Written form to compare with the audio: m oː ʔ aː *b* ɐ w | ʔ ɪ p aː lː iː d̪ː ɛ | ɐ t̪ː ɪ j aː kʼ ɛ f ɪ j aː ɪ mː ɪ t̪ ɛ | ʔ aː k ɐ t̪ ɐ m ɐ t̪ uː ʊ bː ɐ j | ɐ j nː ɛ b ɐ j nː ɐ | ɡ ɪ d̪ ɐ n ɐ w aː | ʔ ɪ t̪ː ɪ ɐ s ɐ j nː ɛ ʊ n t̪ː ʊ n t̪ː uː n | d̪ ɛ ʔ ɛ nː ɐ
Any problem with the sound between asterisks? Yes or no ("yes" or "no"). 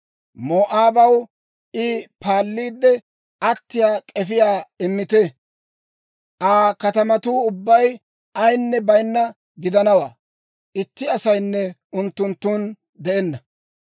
no